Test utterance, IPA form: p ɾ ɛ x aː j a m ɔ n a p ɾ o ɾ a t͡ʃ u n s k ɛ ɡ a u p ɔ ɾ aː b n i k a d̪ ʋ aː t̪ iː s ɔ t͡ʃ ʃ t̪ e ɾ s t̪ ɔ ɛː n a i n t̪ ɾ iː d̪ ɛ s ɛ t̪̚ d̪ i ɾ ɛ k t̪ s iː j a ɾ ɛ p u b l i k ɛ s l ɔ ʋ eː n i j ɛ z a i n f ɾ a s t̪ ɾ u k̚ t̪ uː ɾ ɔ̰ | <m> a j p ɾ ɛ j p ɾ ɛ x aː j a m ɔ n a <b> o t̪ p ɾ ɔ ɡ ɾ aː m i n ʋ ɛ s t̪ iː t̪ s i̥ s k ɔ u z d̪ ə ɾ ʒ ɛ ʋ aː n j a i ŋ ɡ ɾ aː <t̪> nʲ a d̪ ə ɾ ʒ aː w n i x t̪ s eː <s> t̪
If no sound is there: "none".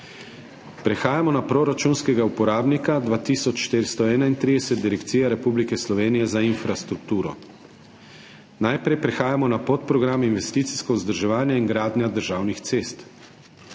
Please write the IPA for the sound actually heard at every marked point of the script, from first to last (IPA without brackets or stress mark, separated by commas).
n, p, d̪, s